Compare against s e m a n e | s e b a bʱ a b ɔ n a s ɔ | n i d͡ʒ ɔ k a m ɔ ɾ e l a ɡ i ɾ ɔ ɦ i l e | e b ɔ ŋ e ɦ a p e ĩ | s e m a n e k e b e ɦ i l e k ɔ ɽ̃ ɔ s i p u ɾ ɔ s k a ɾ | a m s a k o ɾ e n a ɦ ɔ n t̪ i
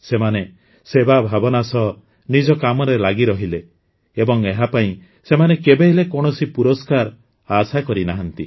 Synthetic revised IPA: s e m a n e | s e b a bʱ a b ɔ n a s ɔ | n i d͡ʒ ɔ k a m ɔ ɾ e l a ɡ i ɾ ɔ ɦ i l e | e b ɔ ŋ e ɦ a p a ĩ | s e m a n e k e b e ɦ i l e k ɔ ɽ̃ ɔ s i p u ɾ ɔ s k a ɾ | a s a k ɔ ɾ i n a ɦ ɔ n t̪ i